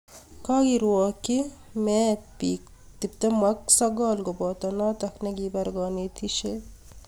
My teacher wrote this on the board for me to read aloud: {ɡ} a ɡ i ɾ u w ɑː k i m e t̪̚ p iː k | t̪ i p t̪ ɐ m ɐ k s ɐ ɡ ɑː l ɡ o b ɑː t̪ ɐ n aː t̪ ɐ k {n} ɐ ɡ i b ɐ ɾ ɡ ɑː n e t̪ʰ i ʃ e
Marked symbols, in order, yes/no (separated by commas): no, yes